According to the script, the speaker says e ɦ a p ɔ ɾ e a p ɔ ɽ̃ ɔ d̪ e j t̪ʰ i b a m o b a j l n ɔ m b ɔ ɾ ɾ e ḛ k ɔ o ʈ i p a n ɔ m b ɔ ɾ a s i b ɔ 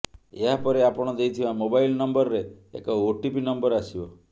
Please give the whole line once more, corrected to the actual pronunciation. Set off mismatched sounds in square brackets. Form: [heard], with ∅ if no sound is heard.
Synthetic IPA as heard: e ɦ a p ɔ ɾ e a p ɔ ɽ̃ ɔ d̪ e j t̪ʰ i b a m o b a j l n ɔ m b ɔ ɾ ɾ e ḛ k ɔ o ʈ i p [i] n ɔ m b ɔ ɾ a s i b ɔ

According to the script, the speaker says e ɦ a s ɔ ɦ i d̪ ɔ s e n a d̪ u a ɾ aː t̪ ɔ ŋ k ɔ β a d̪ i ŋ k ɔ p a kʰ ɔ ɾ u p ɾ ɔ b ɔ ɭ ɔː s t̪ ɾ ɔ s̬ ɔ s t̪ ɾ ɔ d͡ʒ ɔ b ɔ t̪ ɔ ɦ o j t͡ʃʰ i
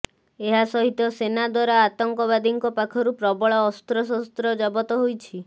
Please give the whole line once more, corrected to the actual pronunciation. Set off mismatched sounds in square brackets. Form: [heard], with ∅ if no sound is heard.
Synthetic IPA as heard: e ɦ a s ɔ ɦ i [t̪] ɔ s e n a d̪ [w] a ɾ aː t̪ ɔ ŋ k ɔ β a d̪ i ŋ k ɔ p a kʰ ɔ ɾ u p ɾ ɔ b ɔ ɭ ɔː s t̪ ɾ ɔ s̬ ɔ s t̪ ɾ ɔ d͡ʒ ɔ b ɔ t̪ ɔ ɦ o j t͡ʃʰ i

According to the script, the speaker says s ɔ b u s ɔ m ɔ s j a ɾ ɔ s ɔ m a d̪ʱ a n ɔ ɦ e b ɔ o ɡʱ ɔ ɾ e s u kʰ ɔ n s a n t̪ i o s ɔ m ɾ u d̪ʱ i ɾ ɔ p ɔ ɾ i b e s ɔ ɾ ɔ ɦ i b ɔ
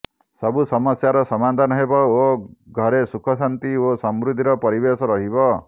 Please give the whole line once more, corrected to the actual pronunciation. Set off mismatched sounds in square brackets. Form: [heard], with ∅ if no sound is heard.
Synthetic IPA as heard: s ɔ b u s ɔ m ɔ s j a ɾ ɔ s ɔ m a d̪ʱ a n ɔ ɦ e b ɔ o ɡʱ ɔ ɾ e s u kʰ ɔ [∅] s a n t̪ i o s ɔ m ɾ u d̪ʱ i ɾ ɔ p ɔ ɾ i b e s ɔ ɾ ɔ ɦ i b ɔ

